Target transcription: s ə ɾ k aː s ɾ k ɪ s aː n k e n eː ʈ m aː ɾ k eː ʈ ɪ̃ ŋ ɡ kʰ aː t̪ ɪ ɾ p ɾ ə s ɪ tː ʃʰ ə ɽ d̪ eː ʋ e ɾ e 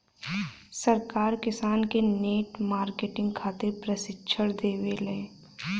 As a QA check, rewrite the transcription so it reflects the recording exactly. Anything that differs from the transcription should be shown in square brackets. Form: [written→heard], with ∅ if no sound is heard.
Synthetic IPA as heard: s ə ɾ k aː [s→∅] ɾ k ɪ s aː n k e n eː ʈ m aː ɾ k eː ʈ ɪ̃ ŋ ɡ kʰ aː t̪ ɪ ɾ p ɾ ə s ɪ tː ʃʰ ə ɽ d̪ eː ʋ e [ɾ→l] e